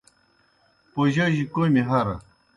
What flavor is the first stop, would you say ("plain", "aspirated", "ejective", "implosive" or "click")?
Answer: plain